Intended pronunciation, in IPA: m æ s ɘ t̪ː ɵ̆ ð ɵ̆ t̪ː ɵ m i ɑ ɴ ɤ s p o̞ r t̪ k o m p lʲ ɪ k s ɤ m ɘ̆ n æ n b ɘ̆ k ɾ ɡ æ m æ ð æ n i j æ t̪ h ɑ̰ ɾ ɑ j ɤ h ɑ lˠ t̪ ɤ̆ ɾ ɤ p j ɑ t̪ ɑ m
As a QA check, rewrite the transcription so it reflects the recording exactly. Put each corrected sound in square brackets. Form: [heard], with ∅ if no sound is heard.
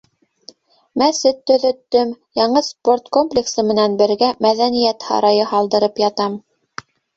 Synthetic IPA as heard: m æ s ɘ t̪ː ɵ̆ ð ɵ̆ t̪ː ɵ m [j] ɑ ɴ ɤ s p o̞ r t̪ k o m p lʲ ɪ k s ɤ m ɘ̆ n æ n b ɘ̆ [∅] ɾ ɡ æ m æ ð æ n i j æ t̪ h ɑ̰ ɾ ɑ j ɤ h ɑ lˠ [d̪] ɤ̆ ɾ ɤ p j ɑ t̪ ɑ m